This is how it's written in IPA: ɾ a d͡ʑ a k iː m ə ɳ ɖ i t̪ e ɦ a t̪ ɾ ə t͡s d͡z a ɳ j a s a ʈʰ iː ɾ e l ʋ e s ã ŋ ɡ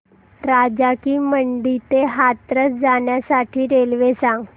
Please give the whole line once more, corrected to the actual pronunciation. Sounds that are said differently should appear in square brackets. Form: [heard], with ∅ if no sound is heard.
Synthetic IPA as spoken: ɾ a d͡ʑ a k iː m ə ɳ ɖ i t̪ e ɦ a t̪ ɾ ə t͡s d͡z a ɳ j a s a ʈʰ iː ɾ e l ʋ e s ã ŋ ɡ